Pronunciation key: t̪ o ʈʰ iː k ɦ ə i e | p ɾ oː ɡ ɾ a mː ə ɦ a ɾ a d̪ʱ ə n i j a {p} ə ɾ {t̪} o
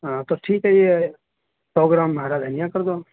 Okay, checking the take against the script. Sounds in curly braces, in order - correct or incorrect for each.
incorrect: k, incorrect: d̪

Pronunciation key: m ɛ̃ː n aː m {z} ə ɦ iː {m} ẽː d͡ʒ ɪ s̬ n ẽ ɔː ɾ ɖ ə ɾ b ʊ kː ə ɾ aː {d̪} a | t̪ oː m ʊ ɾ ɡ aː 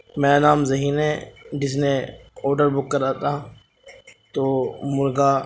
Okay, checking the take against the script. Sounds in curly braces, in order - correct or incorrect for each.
correct, incorrect: n, incorrect: t̪

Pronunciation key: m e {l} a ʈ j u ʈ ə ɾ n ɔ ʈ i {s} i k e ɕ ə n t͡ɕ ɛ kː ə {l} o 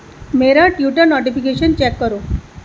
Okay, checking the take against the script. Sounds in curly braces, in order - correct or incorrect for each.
incorrect: ɾ, incorrect: f, incorrect: ɾ

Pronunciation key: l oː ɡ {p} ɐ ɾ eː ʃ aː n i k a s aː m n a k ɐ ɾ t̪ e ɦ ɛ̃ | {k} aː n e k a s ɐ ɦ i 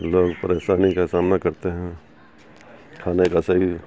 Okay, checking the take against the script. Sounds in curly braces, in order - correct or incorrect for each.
correct, incorrect: kʰ

